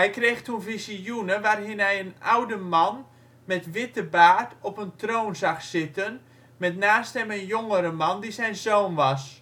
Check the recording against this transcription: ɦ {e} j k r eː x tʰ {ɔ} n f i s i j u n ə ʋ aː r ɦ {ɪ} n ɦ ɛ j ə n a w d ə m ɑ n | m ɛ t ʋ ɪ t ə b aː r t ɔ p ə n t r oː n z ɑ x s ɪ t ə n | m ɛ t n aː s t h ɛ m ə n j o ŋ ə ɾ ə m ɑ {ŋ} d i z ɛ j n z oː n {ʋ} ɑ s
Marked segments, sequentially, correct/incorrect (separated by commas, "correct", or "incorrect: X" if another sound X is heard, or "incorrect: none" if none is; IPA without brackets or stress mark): incorrect: ɛ, incorrect: u, correct, incorrect: n, correct